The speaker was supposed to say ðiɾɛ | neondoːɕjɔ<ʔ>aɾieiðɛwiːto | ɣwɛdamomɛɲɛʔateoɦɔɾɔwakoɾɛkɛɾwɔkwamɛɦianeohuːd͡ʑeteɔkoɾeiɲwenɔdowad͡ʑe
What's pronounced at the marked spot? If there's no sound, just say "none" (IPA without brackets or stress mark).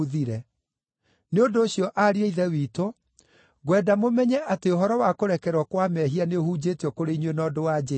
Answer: ʔ